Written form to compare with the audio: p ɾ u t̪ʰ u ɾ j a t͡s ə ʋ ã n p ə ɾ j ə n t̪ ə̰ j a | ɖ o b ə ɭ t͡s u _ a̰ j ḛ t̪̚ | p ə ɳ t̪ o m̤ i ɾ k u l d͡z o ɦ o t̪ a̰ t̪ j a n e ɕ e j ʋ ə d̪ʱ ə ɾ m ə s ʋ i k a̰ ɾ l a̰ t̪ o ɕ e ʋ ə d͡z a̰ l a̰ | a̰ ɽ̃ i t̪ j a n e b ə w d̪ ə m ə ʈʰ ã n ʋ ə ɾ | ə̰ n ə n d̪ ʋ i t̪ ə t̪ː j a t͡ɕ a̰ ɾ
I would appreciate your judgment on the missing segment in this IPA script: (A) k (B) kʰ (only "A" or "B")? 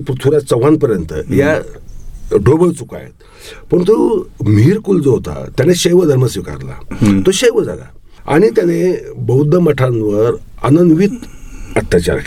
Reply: A